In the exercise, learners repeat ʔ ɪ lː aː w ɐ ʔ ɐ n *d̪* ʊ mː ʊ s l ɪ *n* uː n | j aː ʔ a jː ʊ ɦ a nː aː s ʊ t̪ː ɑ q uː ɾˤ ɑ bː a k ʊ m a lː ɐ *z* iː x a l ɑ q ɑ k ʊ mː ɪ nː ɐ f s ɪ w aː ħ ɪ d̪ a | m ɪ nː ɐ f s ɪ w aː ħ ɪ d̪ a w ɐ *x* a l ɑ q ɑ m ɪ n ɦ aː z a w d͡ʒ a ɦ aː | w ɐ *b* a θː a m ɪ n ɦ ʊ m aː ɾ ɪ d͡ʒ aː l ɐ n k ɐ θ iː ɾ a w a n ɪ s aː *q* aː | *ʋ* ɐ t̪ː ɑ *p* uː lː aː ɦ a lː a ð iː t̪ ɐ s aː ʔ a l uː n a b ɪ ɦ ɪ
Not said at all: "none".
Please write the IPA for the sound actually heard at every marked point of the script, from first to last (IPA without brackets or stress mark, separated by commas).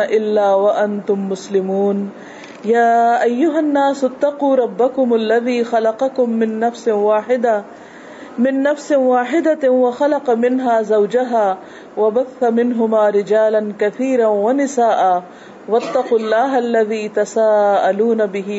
t̪, m, ð, x, b, ʔ, w, q